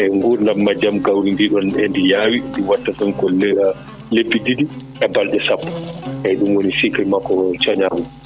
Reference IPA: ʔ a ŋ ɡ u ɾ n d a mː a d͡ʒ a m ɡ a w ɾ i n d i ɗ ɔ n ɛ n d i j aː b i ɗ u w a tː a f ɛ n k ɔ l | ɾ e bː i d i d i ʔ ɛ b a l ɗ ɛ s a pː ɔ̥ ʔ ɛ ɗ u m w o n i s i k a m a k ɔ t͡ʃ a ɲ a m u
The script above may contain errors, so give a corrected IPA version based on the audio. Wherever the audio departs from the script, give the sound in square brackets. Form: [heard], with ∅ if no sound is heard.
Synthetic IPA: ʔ [ɛ] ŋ ɡ u ɾ n d a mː a d͡ʒ a m ɡ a w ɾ i n d i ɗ ɔ n ɛ n d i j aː [w] i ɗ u w a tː a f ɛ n k ɔ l | [l] e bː i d i d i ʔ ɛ b a l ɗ ɛ s a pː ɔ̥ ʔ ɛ ɗ u m w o n i s i k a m a k ɔ t͡ʃ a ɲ a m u

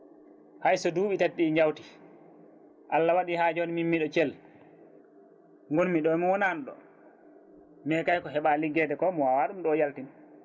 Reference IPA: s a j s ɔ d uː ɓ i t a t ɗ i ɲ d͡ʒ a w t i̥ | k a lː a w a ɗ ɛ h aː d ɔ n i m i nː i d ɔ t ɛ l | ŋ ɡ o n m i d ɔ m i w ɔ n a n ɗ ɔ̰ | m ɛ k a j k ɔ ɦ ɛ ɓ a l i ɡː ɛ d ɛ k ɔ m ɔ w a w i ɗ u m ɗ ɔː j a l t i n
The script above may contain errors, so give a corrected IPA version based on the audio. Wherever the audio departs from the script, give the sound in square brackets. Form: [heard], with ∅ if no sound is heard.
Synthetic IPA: [h] a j s ɔ d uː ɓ i t a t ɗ i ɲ d͡ʒ a w t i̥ | [ʔ] a lː a w a ɗ [i] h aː [d͡ʒ] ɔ n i m i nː i [ɗ] ɔ [t͡ʃ] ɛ l | ŋ ɡ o n m i [ɗ] ɔ m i w ɔ n a n ɗ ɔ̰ | m ɛ k a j k ɔ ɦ ɛ ɓ a l i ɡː ɛ d ɛ k ɔ m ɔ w a w [a] ɗ u m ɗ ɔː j a l t i n

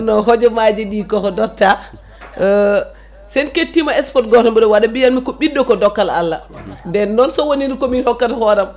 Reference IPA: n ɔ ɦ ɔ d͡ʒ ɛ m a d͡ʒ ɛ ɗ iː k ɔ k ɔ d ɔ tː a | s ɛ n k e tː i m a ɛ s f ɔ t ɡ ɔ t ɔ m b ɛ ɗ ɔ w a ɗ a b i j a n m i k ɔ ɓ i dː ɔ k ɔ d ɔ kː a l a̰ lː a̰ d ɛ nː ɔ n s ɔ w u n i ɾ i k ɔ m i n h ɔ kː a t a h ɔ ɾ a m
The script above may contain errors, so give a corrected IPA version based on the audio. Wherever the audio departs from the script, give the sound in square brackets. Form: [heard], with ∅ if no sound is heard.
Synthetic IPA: n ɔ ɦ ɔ d͡ʒ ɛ m a d͡ʒ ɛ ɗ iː k ɔ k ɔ d ɔ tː a | s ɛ n k e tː i m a ɛ s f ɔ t ɡ ɔ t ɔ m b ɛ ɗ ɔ w a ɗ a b i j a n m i k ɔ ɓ i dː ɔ k ɔ d ɔ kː a l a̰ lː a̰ d ɛ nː ɔ n s ɔ w [o] n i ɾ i k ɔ m i n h ɔ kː a t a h ɔ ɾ a m

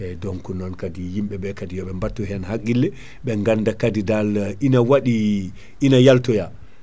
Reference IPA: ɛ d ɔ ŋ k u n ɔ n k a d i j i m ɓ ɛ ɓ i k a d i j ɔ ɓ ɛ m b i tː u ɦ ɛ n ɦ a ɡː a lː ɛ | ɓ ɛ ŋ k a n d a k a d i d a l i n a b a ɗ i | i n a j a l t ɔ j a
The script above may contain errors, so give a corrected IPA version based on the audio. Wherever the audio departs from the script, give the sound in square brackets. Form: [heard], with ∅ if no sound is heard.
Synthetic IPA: ɛ d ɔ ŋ k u n ɔ n k a d i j i m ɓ ɛ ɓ [ɛ] k a d i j ɔ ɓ ɛ m b [a] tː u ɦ ɛ n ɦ a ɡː [i] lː ɛ | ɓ ɛ ŋ [ɡ] a n d a k a d i d a l i n a [w] a ɗ i | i n a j a l t ɔ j a

